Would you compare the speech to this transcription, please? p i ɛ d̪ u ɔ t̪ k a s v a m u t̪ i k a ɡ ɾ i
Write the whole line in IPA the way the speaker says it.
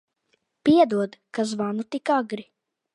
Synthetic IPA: p i ɛ d̪ u ɔ d̪ k a z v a n u t̪ i k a ɡ ɾ i